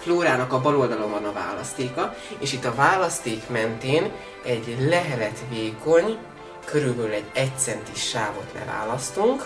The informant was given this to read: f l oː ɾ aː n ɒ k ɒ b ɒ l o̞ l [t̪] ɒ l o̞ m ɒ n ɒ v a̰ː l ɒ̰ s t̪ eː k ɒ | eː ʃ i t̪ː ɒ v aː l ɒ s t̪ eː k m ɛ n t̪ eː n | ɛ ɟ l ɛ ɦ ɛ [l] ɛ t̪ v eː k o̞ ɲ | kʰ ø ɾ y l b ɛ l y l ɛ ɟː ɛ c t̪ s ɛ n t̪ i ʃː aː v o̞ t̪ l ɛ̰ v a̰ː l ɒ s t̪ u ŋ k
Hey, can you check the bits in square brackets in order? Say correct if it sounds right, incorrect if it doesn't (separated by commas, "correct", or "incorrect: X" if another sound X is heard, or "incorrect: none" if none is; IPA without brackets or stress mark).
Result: incorrect: d̪, correct